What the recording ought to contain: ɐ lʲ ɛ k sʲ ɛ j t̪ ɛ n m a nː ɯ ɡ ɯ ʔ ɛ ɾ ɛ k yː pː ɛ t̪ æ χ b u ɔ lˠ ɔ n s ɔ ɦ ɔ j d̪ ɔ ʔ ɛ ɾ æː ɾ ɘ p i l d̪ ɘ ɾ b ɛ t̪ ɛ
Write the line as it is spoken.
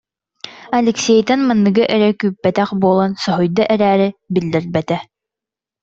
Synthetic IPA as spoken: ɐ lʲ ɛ k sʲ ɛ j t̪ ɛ n m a nː ɯ ɡ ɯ ʔ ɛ ɾ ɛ k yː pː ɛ t̪ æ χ b u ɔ lˠ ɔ n s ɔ ɦ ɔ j d̪ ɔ ʔ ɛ ɾ æː ɾ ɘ b i l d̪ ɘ ɾ b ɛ t̪ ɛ